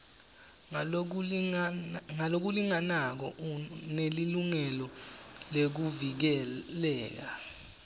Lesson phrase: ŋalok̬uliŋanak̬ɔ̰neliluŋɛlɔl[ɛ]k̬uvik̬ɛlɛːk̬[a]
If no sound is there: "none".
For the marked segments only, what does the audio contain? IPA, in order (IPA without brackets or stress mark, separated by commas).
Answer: e, a